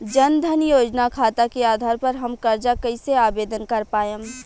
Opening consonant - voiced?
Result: yes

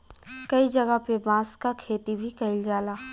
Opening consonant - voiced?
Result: no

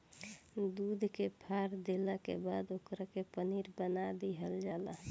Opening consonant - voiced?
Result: yes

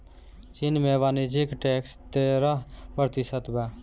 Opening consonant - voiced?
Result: no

